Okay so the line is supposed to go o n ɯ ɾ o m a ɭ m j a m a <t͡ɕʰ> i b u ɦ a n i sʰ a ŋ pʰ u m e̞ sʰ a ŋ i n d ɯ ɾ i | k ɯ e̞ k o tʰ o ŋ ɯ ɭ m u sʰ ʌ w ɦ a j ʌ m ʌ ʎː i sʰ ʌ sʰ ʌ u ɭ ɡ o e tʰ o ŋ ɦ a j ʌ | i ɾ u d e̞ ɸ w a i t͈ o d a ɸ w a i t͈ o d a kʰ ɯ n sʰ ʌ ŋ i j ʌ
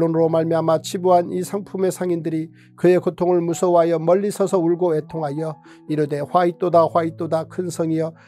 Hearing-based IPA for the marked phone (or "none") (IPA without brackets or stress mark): t͡ɕʰ